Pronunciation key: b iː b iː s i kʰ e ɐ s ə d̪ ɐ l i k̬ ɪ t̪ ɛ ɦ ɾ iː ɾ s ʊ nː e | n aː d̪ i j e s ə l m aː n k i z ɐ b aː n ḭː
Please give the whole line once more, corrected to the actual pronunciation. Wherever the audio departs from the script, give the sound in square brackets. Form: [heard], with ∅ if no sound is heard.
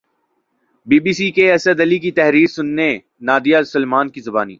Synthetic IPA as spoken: b iː b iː s i [k] e ɐ s ə d̪ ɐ l i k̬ [i] t̪ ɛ ɦ ɾ iː ɾ s ʊ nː e | n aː d̪ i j [a] s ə l m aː n k i z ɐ b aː n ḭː